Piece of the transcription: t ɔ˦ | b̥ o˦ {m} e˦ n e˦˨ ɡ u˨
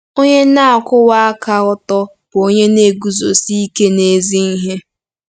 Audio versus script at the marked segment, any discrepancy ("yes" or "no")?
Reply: yes